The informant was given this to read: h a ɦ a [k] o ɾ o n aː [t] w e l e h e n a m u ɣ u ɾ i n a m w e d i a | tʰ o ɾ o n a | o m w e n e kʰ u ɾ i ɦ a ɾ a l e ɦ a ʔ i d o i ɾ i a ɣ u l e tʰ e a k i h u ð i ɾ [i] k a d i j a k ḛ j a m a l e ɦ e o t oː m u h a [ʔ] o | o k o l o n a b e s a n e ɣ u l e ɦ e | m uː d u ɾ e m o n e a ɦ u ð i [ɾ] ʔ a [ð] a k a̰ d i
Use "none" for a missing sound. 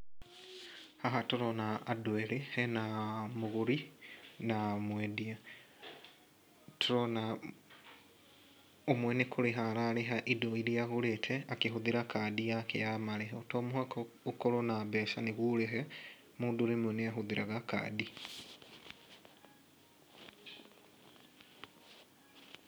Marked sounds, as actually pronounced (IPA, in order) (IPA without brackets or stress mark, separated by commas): t, d, a, k, ɾ, ɣ